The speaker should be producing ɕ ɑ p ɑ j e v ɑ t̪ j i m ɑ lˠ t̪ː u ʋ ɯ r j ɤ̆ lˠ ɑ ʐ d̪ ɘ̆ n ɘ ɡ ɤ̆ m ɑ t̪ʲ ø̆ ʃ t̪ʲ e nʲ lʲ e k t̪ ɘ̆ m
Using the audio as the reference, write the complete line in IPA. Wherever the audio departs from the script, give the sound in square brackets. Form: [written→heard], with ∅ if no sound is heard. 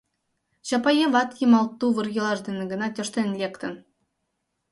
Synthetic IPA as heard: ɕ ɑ p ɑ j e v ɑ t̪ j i m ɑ lˠ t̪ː u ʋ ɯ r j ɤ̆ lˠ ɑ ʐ d̪ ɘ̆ n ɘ ɡ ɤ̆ [m→n] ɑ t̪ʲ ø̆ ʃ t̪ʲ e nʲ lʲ e k t̪ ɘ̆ [m→n]